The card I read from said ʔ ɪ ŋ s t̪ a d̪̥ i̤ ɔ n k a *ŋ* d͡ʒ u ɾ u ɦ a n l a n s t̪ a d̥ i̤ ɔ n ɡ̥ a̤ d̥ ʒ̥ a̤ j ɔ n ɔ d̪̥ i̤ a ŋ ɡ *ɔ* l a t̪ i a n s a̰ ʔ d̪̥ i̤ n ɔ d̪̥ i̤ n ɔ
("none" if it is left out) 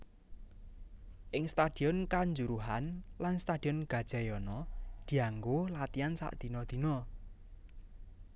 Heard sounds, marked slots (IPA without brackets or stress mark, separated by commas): ɲ, o